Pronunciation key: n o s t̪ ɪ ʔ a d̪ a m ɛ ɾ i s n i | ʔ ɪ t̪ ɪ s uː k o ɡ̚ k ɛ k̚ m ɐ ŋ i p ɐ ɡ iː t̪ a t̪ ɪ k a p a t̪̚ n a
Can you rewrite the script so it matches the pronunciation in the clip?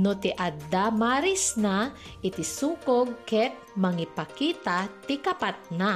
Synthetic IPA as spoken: n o t̪ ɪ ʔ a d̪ a m a ɾ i s n a | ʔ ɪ t̪ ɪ s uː k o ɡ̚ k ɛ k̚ m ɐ ŋ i p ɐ k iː t̪ a t̪ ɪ k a p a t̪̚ n a